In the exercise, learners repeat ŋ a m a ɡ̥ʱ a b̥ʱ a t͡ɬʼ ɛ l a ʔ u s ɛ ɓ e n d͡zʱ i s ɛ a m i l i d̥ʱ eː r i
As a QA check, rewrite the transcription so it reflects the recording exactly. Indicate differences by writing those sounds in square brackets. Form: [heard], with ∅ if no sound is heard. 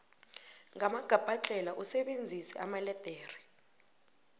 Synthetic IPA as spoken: ŋ a m a ɡ̥ʱ a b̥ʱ a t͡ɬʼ ɛ l a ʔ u s ɛ ɓ e n d͡zʱ i s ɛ a m [a] l [ɛ] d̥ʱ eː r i